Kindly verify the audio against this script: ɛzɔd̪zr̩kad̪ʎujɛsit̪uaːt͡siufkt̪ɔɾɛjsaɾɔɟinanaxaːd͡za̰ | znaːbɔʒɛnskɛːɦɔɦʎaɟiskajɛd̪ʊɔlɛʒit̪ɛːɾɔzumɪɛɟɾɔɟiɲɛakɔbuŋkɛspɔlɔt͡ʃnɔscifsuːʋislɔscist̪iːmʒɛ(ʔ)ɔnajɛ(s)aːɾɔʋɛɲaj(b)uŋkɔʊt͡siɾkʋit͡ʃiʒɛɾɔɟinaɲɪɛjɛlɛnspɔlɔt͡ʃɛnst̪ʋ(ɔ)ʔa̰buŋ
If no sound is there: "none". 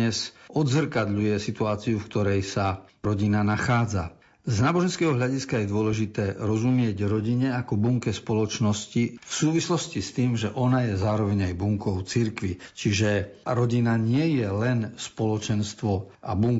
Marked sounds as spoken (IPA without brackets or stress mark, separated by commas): ʔ, z, b, ɔ